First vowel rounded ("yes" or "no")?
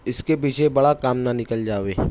no